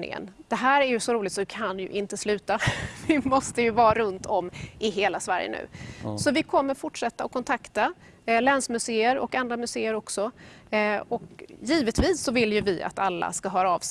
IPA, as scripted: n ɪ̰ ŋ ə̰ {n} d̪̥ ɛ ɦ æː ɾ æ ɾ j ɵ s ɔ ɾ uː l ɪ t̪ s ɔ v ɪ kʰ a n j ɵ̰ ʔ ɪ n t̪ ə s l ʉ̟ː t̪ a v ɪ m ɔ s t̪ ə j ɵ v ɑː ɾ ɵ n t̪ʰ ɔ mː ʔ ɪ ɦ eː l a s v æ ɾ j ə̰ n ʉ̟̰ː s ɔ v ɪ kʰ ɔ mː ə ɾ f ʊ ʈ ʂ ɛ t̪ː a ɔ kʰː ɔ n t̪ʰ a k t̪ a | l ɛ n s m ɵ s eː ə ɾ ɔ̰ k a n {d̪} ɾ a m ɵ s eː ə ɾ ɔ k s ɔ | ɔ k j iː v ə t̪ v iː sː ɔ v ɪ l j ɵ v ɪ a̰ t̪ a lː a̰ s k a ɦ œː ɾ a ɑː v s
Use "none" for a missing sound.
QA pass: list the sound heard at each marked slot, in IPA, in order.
n, d̪

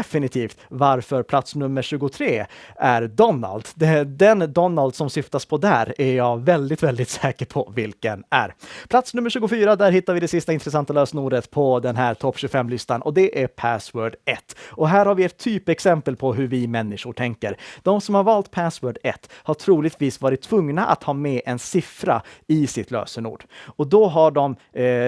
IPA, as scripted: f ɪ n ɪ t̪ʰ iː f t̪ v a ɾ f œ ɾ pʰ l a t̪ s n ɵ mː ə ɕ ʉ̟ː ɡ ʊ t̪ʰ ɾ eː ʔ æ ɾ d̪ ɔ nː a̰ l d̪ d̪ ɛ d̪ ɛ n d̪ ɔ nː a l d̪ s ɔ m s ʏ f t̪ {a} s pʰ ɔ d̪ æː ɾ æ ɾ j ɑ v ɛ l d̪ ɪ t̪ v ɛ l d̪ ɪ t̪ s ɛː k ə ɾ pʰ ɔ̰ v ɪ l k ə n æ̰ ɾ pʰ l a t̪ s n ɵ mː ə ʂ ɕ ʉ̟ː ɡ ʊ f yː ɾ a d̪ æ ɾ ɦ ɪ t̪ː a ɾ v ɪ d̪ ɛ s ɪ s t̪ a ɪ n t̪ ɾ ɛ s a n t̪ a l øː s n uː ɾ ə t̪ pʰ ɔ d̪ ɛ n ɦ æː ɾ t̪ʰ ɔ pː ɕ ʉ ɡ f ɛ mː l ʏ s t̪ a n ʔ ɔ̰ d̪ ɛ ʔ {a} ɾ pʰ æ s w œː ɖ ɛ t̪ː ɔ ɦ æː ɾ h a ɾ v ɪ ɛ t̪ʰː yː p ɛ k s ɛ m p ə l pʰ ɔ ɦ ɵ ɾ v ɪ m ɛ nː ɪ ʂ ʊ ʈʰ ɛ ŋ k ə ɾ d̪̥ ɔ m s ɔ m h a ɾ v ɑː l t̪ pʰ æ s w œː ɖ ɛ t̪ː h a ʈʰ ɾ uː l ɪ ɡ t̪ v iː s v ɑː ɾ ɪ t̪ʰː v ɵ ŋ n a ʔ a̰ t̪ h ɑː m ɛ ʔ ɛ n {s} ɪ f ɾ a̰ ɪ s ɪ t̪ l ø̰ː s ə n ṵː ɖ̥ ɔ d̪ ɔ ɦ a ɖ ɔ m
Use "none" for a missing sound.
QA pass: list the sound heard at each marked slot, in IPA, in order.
a, æ, s

